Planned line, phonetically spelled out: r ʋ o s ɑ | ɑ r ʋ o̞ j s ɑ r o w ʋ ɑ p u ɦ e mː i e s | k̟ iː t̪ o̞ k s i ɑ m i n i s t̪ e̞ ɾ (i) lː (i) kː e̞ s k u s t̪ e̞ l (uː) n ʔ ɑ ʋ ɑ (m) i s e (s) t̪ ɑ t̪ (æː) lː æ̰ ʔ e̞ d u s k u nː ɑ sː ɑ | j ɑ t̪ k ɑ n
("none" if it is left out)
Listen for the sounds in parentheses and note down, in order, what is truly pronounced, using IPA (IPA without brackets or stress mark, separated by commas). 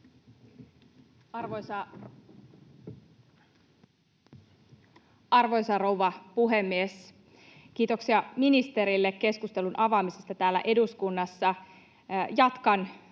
i, e, u, m, s, æː